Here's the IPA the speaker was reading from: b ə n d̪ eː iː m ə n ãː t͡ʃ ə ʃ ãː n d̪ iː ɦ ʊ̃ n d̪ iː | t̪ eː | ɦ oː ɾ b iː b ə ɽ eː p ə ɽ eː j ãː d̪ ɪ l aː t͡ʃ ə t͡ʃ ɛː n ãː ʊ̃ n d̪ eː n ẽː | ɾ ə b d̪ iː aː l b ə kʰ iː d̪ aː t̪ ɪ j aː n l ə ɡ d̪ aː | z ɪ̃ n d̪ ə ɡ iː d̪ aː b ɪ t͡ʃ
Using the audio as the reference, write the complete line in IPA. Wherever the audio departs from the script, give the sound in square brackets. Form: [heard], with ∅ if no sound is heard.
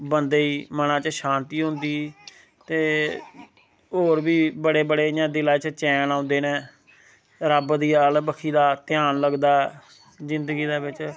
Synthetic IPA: b ə n d̪ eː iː m ə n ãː t͡ʃ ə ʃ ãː n [t̪] iː ɦ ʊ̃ n d̪ iː | t̪ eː | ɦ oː ɾ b iː b ə ɽ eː [b] ə ɽ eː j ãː d̪ ɪ l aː t͡ʃ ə t͡ʃ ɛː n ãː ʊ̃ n d̪ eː n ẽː | ɾ ə b d̪ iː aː l b ə kʰ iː d̪ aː t̪ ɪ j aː n l ə ɡ d̪ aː | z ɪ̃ n d̪ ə ɡ iː d̪ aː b ɪ t͡ʃ

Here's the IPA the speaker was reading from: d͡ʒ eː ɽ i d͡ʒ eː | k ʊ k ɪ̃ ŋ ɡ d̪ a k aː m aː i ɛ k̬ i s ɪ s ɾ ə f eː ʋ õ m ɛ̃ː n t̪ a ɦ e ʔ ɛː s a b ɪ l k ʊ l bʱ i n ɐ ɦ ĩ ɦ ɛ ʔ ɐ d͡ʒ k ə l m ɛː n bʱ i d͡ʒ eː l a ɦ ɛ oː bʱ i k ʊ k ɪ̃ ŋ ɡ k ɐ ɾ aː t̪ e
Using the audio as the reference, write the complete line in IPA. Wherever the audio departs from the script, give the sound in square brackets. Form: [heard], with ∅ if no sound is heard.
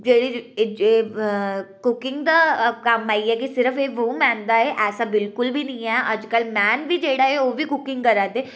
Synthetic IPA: d͡ʒ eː ɽ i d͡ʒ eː | k ʊ k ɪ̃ ŋ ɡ d̪ a k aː m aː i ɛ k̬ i s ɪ [∅] ɾ ə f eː ʋ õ m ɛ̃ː n [d̪] a ɦ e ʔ ɛː s a b ɪ l k ʊ l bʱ i n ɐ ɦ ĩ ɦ ɛ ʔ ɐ d͡ʒ k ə l m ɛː n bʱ i d͡ʒ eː [ɽ] a ɦ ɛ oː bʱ i k ʊ k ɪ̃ ŋ ɡ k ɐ ɾ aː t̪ e

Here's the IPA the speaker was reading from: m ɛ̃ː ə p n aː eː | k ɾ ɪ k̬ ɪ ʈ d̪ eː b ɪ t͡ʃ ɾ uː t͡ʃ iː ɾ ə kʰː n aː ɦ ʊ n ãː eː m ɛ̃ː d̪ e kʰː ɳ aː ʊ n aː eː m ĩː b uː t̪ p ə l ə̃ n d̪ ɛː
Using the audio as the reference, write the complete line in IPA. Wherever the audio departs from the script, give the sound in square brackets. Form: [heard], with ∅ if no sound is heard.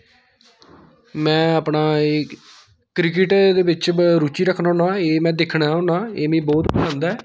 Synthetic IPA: m ɛ̃ː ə p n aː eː | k ɾ ɪ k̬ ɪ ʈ d̪ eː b ɪ t͡ʃ ɾ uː t͡ʃ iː ɾ ə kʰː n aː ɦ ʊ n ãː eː m ɛ̃ː d̪ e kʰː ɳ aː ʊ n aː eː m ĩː b [ɔː] t̪ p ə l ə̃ n d̪ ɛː

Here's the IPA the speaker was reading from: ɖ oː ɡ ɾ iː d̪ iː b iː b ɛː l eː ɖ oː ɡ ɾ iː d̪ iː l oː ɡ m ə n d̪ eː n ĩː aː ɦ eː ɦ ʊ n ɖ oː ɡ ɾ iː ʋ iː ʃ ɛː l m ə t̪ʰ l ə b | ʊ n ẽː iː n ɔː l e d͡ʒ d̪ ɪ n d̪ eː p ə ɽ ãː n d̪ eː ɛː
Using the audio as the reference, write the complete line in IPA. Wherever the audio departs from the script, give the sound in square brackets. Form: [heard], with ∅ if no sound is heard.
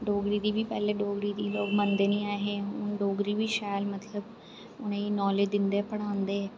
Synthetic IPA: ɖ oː ɡ ɾ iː d̪ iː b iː [p] ɛː l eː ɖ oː ɡ ɾ iː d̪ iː l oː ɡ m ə n d̪ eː n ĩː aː ɦ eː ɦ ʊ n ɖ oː ɡ ɾ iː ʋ iː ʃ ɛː l m ə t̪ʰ l ə b | ʊ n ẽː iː n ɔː l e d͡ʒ d̪ ɪ n d̪ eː p ə ɽ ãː n d̪ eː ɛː

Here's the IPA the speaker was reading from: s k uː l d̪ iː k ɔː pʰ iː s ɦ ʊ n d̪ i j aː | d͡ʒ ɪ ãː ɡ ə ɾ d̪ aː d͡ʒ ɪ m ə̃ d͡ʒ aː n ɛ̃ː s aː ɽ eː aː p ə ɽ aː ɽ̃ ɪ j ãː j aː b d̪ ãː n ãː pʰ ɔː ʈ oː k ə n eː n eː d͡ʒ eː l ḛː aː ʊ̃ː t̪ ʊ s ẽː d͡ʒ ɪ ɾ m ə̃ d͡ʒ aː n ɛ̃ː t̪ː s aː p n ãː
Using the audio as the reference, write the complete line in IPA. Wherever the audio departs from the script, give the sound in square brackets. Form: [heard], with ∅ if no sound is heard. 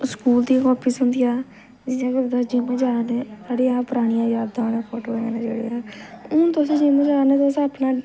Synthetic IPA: s k uː l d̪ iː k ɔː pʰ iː s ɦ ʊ n d̪ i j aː | d͡ʒ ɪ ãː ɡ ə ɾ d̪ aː d͡ʒ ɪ m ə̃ d͡ʒ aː n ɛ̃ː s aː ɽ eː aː p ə [ɾ] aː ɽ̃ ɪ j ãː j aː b d̪ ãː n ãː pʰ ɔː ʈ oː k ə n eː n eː d͡ʒ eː [ɽ] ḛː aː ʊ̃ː t̪ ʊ s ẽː d͡ʒ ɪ [∅] m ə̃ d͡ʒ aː n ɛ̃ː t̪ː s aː p n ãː

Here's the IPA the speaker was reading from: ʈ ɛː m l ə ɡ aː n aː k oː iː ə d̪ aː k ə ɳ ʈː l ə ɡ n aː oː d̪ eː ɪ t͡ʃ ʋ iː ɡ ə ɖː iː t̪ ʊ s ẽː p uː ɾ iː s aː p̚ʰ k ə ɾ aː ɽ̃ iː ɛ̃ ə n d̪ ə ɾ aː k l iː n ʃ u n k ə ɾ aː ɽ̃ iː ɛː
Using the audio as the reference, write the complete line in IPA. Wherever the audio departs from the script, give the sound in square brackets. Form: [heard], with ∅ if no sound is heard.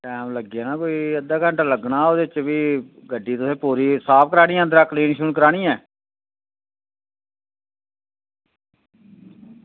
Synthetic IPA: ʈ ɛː m l ə ɡ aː n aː k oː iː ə d̪ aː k ə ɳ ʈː l ə ɡ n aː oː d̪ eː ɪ t͡ʃ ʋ iː ɡ ə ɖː iː t̪ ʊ s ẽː p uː ɾ iː s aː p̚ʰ k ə ɾ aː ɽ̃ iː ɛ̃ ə n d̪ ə ɾ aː k l iː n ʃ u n k ə ɾ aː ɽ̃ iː ɛː

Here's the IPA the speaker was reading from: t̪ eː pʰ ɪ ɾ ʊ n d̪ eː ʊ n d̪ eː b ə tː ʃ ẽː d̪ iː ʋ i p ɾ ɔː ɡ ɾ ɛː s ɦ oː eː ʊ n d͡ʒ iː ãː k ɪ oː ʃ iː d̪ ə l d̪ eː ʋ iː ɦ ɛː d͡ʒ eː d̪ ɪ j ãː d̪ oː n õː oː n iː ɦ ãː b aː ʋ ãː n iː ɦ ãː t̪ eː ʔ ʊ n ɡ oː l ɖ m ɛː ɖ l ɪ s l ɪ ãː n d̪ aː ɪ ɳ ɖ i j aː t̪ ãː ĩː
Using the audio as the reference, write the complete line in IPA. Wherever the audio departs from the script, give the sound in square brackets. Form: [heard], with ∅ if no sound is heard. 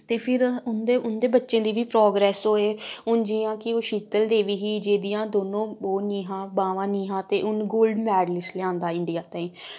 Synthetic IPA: t̪ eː pʰ ɪ ɾ ʊ n d̪ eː ʊ n d̪ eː b ə tː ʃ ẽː d̪ iː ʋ [iː] p ɾ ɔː ɡ ɾ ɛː s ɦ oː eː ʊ n d͡ʒ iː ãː k ɪ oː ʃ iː [t̪] ə l d̪ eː ʋ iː ɦ [iː] d͡ʒ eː d̪ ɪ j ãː d̪ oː n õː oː n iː ɦ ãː b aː ʋ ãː n iː ɦ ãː t̪ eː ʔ ʊ n ɡ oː l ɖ m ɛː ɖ l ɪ s l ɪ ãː n d̪ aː ɪ ɳ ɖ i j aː t̪ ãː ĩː

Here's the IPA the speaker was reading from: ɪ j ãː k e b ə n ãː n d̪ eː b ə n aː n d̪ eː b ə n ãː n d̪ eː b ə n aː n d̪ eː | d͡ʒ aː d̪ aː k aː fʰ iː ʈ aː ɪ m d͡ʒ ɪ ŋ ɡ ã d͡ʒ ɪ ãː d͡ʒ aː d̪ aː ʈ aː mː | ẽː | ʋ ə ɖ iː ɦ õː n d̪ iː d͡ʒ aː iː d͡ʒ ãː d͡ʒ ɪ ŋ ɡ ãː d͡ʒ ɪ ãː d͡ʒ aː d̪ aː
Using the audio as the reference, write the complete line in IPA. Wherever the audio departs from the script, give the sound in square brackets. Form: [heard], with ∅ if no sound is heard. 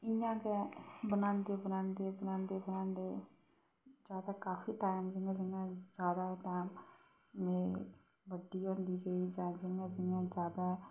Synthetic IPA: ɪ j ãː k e b ə n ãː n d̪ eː b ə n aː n d̪ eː b ə n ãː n d̪ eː b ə n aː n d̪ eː | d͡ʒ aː d̪ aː k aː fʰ iː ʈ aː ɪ m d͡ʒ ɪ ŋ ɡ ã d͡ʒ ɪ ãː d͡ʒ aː d̪ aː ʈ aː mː | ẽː | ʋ ə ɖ iː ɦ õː n d̪ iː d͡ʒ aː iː d͡ʒ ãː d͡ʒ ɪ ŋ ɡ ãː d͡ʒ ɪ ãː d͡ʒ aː d̪ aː

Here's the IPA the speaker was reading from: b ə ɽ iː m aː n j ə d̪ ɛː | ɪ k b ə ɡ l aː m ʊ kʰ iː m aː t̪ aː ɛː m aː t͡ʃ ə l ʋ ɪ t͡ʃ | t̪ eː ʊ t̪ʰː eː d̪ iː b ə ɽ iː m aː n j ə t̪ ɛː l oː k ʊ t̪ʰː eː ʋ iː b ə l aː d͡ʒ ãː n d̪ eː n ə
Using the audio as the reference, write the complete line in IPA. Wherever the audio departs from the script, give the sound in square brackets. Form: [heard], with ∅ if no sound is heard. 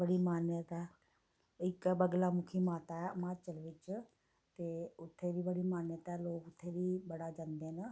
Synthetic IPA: b ə ɽ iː m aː n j ə [t̪] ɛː | ɪ k b ə ɡ l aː m ʊ kʰ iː m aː t̪ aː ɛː m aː t͡ʃ ə l ʋ ɪ t͡ʃ | t̪ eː ʊ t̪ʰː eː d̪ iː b ə ɽ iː m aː n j ə t̪ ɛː l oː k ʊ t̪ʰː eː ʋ iː b ə [ɽ] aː d͡ʒ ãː n d̪ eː n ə

